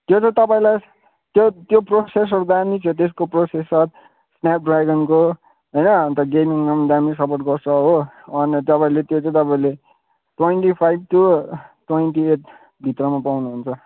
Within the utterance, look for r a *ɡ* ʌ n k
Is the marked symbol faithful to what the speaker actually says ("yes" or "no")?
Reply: yes